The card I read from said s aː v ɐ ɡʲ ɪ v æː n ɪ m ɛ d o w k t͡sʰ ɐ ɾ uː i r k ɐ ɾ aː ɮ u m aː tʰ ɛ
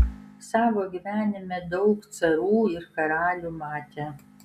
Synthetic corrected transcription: s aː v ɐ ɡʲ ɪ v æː n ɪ m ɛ d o w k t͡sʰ ɐ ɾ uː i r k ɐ ɾ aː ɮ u m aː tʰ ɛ